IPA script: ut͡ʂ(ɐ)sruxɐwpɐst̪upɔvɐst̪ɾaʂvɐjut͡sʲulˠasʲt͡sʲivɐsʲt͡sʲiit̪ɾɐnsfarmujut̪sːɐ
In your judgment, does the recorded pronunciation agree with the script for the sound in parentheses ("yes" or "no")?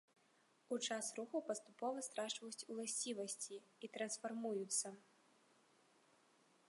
no